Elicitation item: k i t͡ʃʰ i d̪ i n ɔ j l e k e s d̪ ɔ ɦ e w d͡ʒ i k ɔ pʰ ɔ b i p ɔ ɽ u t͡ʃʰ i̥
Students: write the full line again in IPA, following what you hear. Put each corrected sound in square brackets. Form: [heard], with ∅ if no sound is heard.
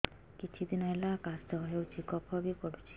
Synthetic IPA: k i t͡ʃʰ i d̪ i n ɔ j l [a] k [a] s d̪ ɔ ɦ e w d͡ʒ i k ɔ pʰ ɔ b i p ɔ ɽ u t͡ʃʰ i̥